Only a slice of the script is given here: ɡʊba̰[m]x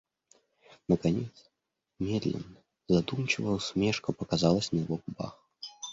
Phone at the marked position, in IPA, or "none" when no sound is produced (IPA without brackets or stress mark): none